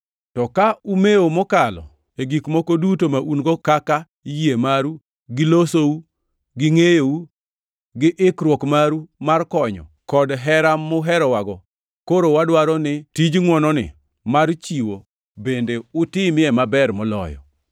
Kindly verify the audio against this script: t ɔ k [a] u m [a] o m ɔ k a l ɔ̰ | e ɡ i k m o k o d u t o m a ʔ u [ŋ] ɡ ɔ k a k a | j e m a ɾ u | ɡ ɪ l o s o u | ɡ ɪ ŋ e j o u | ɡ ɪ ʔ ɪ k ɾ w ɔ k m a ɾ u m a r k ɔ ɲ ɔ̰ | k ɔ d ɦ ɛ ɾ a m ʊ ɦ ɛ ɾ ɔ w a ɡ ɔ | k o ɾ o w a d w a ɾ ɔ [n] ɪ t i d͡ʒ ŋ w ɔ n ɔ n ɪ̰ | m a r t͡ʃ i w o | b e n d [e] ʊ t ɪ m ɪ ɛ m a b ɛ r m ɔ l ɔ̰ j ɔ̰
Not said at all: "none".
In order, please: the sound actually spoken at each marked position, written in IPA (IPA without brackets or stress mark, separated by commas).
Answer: a, e, n, n, e